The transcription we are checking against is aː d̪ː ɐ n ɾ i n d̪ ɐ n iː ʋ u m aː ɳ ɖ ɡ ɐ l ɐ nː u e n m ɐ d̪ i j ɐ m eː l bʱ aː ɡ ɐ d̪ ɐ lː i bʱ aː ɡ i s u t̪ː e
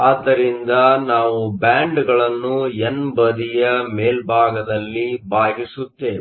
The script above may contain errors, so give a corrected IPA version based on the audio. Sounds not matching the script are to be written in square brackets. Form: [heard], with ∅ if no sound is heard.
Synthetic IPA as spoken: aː d̪ː ɐ [∅] ɾ i n d̪ ɐ n [aː] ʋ u [b] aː ɳ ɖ ɡ ɐ [ɭ] ɐ nː u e n [b] ɐ d̪ i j ɐ m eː l bʱ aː ɡ ɐ d̪ ɐ lː i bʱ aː ɡ i s u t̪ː e